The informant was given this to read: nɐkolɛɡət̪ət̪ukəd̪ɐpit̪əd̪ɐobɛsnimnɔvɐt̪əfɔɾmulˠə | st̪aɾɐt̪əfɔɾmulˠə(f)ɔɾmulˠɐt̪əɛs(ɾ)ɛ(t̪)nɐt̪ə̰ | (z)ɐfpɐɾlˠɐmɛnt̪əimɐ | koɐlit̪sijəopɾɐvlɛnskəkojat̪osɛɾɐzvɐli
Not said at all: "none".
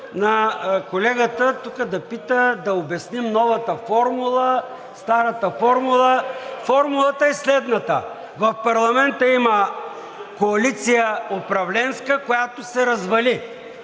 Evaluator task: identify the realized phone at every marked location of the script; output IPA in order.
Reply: f, l, d̪, v

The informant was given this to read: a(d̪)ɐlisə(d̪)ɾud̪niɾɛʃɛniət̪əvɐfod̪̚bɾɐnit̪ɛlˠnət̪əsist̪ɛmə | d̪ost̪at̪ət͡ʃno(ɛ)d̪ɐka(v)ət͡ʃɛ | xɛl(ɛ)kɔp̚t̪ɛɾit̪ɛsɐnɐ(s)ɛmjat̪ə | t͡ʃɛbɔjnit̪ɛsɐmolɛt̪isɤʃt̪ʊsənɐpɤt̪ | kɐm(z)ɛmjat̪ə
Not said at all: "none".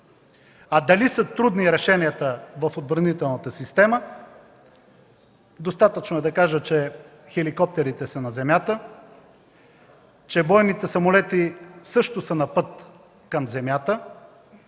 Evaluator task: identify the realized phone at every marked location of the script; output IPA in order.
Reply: d̪, t̪, ɛ, ʒ, i, z, z

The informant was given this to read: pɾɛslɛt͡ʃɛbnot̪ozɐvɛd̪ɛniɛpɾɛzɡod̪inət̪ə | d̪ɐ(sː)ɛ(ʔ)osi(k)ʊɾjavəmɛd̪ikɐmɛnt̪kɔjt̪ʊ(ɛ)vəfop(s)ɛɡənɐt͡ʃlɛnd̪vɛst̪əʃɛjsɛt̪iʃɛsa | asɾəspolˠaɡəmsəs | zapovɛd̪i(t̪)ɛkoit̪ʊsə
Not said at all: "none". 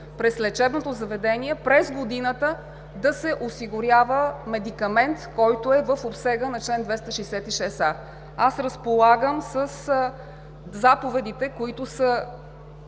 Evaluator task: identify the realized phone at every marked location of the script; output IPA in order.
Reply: s, ʔ, ɡ, ɛ, s, t̪

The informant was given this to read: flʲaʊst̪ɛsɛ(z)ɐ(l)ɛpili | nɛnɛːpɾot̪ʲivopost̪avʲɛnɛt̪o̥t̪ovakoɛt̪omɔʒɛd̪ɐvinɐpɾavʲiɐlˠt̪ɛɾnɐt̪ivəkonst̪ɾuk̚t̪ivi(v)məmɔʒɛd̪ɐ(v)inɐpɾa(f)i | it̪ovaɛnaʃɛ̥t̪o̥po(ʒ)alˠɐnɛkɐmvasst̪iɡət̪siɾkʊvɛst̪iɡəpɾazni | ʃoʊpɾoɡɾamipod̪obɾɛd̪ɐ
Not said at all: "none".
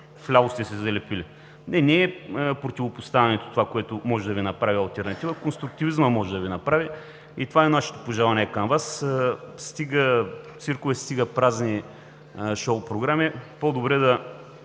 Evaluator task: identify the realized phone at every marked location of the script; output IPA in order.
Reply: z, l, z, v, v, ʒ

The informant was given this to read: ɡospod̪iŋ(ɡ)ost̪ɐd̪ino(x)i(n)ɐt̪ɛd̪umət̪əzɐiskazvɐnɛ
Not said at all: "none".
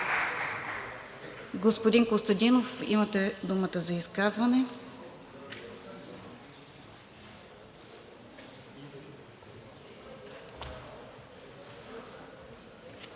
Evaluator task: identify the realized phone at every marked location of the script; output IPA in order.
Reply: k, f, m

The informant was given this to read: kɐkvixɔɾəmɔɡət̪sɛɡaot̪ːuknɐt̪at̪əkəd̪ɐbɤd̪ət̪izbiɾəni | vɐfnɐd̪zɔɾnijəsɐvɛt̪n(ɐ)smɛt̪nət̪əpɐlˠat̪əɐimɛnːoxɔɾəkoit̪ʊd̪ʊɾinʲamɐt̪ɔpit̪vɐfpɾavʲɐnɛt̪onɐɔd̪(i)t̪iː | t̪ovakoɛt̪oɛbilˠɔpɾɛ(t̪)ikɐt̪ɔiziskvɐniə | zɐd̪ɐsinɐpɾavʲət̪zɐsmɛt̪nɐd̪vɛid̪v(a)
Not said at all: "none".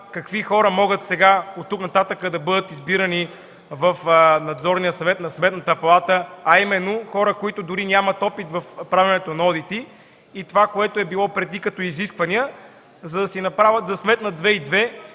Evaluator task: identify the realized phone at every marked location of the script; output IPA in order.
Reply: ɐ, i, d̪, ɛ

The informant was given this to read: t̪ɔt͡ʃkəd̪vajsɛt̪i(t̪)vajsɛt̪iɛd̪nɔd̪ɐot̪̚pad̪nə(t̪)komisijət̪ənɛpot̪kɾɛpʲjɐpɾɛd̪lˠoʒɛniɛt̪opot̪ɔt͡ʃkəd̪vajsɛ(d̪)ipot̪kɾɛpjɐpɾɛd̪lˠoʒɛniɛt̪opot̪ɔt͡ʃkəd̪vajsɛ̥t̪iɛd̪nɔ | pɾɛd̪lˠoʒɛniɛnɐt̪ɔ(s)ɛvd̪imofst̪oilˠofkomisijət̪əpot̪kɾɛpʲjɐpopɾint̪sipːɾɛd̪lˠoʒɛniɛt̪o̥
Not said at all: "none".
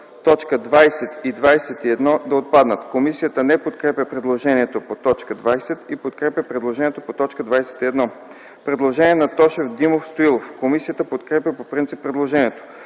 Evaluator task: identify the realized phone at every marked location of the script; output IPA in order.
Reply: d̪, t̪, t̪, ʃ

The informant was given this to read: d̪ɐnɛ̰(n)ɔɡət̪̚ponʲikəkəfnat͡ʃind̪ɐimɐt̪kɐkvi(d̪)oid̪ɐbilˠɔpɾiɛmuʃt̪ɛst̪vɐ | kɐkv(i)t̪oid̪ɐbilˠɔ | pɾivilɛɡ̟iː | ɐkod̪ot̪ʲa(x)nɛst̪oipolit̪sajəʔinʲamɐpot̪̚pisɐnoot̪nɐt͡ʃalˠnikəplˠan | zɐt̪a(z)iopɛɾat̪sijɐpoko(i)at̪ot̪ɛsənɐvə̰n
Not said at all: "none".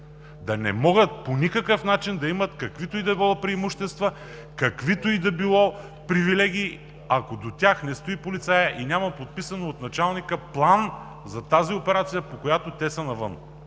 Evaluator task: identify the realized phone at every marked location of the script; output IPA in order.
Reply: m, t̪, i, x, z, j

